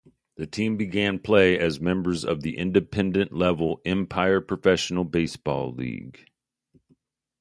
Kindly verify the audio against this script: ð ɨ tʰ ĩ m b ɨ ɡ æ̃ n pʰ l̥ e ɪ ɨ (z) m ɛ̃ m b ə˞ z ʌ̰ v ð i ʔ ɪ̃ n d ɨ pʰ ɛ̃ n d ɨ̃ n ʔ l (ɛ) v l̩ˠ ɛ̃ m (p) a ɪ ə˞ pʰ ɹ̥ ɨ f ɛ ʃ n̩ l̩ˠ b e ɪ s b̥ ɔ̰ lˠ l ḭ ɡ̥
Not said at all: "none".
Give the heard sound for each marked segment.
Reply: z, ɛ, pʰ

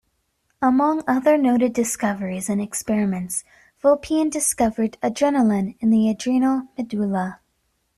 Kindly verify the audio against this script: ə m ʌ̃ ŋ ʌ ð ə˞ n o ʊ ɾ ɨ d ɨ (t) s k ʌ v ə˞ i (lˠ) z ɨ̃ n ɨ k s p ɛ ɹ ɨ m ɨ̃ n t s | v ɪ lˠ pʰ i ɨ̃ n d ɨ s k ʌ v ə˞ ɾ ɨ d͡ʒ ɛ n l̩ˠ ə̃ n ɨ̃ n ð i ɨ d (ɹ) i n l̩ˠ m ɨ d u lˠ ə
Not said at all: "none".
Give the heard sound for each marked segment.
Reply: none, none, ɹ

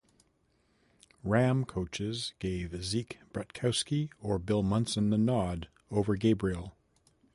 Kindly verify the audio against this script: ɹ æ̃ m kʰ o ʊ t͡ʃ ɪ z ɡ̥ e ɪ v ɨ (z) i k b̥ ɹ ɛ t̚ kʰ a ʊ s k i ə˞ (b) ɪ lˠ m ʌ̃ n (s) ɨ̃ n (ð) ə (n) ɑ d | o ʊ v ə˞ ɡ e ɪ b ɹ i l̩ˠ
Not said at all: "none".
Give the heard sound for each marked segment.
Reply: z, b, s, ð, n

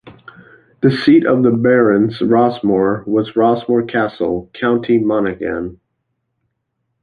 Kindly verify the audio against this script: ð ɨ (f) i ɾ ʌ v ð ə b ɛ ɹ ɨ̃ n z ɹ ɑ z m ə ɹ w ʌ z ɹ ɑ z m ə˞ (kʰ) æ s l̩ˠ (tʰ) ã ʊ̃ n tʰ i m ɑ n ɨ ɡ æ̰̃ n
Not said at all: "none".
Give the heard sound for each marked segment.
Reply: s, kʰ, kʰ

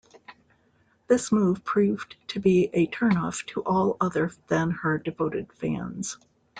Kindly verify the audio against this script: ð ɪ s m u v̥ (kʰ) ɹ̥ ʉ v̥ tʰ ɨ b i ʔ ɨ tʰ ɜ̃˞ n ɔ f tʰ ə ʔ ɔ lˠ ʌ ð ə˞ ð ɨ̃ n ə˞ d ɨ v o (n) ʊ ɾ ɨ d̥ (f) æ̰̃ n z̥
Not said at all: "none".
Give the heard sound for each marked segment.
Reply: pʰ, none, f

